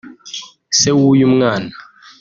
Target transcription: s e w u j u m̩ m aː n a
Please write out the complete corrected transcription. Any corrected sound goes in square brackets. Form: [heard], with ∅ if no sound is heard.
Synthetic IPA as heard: s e w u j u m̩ [ŋ] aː n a

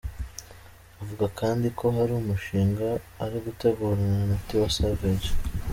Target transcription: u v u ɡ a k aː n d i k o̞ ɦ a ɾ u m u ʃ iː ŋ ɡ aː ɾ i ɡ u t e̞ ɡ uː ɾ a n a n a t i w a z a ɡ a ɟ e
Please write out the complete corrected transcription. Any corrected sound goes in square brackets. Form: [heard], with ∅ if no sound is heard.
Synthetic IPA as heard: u v u ɡ a k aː n d i k o̞ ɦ a ɾ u m u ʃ iː ŋ ɡ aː ɾ i ɡ u t e̞ ɡ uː ɾ a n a n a t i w a [s] a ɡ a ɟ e

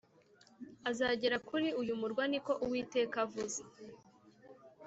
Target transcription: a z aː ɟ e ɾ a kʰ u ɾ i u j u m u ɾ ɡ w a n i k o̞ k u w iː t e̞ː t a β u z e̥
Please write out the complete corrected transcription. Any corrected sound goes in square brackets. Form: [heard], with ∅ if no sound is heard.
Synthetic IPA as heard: a z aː ɟ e ɾ a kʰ u ɾ i u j u m u ɾ ɡ w a n i k o̞ [ʔ] u w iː t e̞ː [k] a [v] u z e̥

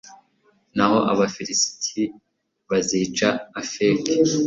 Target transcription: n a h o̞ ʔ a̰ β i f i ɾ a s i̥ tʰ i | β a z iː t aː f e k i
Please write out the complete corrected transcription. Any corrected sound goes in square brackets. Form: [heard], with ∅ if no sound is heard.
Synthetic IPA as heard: n a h o̞ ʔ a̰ β [a] f i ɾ [i] s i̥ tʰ i | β a z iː [t͡ʃ] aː f e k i

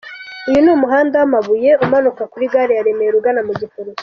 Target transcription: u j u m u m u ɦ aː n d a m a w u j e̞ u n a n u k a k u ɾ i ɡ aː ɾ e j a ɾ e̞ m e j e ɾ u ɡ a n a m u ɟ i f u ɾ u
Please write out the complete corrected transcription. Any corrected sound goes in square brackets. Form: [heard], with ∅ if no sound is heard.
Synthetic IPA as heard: u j u [n] u m u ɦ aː n d a m a [β] u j e̞ u [m] a n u k a k u ɾ i ɡ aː ɾ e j a ɾ e̞ m e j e ɾ u ɡ a n a m u ɟ i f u ɾ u

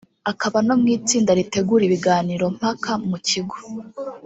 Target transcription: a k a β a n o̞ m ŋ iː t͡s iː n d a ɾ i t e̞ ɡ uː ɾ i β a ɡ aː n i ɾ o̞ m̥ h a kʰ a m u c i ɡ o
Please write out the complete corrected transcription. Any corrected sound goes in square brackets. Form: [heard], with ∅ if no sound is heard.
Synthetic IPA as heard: a k a β a n o̞ m ŋ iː t͡s iː n d a ɾ i t e̞ ɡ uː ɾ i β [i] ɡ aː n i ɾ o̞ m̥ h a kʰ a m u c i ɡ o

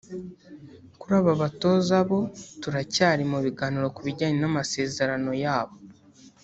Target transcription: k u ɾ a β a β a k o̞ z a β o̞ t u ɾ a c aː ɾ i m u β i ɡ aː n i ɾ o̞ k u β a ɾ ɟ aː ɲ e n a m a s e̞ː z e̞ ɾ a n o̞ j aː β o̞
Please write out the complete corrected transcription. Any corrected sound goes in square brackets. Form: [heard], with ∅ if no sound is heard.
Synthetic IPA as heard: k u ɾ a β a β a [t] o̞ z a β o̞ t u ɾ a c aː ɾ i m u β i ɡ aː n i ɾ o̞ k u β [i] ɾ ɟ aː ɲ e n a m a s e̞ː z e̞ ɾ a n o̞ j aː β o̞

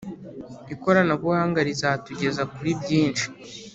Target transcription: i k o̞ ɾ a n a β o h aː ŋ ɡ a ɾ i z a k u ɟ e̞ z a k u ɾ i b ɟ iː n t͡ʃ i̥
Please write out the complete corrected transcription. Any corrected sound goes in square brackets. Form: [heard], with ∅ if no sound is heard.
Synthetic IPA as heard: i k o̞ ɾ a n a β [u] h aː ŋ ɡ a ɾ i z a [t] u ɟ e̞ z a k u ɾ i b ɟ iː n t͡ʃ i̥

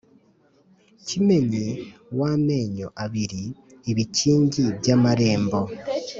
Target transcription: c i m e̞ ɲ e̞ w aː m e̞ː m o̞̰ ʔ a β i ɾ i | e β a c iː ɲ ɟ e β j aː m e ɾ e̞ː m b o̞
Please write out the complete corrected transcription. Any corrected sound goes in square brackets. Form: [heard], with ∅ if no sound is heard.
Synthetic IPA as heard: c i m e̞ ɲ e̞ w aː m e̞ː [ɲ] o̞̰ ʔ a β i ɾ i | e β [i] c iː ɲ ɟ [i] β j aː m [a] ɾ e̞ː m b o̞

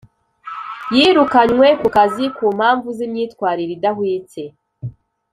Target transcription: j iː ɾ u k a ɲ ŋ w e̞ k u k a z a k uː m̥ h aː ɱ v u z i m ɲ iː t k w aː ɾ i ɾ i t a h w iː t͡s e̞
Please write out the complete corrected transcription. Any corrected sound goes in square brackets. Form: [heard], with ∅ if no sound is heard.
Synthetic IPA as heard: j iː ɾ u k a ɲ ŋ w e̞ k u k a z [i] k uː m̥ h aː ɱ v u z i m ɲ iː t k w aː ɾ i ɾ i [d] a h w iː t͡s e̞

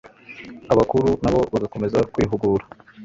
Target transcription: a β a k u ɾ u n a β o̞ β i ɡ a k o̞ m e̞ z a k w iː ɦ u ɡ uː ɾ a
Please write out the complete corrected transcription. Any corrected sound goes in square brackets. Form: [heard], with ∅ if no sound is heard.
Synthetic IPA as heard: a β a k u ɾ u n a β o̞ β [a] ɡ a k o̞ m e̞ z a k w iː ɦ u ɡ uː ɾ a

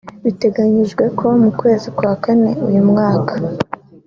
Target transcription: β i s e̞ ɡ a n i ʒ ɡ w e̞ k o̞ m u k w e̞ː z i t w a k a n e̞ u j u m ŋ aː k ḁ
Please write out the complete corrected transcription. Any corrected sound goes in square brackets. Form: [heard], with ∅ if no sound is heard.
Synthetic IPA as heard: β i [t] e̞ ɡ a [ɲ] i ʒ ɡ w e̞ k o̞ m u k w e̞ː z i [k] w a k a n e̞ u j u m ŋ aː k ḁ

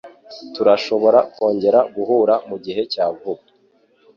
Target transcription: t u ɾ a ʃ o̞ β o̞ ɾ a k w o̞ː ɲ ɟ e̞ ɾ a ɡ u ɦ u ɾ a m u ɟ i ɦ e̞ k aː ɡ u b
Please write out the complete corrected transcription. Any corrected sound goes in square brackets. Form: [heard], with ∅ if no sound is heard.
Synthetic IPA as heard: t u ɾ a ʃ o̞ β o̞ ɾ a k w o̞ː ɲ ɟ e̞ ɾ a ɡ u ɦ u ɾ a m u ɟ i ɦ e̞ [c] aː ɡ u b

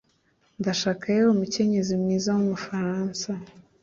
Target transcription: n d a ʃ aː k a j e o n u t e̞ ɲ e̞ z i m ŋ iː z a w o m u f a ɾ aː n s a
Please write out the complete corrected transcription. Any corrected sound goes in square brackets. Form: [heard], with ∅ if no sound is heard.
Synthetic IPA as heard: n d a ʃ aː k a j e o [m] u [c] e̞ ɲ e̞ z i m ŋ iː z a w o m u f a ɾ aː n s a

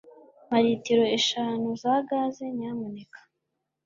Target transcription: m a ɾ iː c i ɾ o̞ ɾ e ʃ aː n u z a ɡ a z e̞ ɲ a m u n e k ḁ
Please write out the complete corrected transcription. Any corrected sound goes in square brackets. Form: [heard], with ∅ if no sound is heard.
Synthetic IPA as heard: m a ɾ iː [t] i ɾ o̞ [∅] e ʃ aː n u z a ɡ a z e̞ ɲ a m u n e k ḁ

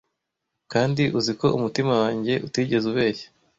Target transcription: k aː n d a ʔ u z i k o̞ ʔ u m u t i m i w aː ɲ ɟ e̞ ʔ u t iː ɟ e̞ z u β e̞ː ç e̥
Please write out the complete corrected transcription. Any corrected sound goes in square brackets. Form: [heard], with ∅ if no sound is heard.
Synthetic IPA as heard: k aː n d [i] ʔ u z i k o̞ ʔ u m u t i m [a] w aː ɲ ɟ e̞ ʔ u t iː ɟ e̞ z u β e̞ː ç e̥

